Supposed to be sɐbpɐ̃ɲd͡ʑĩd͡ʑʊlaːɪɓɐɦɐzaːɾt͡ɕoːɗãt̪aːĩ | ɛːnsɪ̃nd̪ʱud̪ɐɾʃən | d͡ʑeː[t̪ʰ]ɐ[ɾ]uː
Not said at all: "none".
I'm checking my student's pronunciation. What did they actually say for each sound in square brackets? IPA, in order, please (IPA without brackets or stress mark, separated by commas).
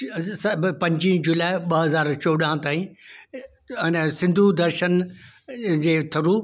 t̪ʰ, ɾ